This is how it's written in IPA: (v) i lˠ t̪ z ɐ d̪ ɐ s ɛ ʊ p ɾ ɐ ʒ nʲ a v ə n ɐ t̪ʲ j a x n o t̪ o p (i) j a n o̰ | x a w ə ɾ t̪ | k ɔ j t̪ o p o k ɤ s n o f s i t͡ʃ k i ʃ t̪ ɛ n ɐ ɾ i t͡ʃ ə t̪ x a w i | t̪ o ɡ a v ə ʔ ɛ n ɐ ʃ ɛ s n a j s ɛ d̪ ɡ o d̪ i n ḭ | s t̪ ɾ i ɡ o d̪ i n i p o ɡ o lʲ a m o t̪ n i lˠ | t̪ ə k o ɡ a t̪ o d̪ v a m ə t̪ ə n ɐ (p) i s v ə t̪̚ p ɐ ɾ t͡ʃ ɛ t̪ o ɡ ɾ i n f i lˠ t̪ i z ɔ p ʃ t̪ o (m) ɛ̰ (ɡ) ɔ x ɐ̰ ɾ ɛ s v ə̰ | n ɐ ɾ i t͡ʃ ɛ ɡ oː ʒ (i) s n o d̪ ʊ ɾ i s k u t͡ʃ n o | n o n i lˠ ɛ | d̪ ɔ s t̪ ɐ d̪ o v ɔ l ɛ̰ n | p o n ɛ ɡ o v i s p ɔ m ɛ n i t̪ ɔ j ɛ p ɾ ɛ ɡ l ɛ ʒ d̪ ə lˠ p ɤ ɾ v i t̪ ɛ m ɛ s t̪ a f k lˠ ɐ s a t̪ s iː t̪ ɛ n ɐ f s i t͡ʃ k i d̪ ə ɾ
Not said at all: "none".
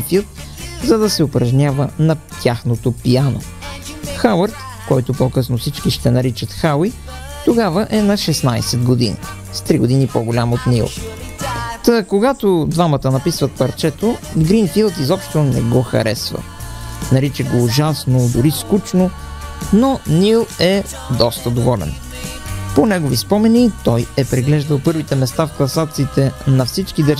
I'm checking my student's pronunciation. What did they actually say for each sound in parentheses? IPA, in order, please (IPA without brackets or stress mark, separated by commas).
f, i, p, n, ɡ, a